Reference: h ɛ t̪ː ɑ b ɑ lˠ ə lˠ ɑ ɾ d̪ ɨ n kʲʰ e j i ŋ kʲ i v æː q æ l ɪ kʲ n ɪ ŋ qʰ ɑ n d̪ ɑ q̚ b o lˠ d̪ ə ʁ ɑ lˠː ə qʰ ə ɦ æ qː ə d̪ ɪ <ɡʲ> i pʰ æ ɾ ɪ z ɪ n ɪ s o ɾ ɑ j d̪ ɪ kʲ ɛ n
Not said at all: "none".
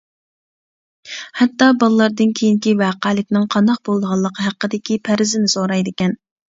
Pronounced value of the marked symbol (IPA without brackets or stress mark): kʲ